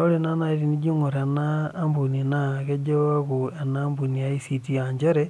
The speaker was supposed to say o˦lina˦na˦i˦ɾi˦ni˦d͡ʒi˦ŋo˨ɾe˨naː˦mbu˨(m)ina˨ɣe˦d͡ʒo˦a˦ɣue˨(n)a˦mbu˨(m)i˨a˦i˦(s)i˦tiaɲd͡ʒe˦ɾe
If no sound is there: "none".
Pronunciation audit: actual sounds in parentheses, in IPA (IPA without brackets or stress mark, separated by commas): n, n, n, s